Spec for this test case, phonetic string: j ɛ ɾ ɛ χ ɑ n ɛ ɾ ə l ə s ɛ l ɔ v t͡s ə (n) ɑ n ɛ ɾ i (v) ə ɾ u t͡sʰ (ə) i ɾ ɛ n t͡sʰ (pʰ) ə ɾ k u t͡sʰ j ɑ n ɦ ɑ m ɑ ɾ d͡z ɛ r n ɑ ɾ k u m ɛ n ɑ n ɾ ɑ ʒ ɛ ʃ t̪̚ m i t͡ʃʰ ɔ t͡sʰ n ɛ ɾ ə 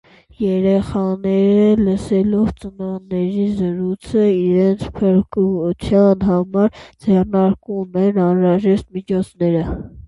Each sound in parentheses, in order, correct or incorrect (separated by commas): correct, incorrect, correct, correct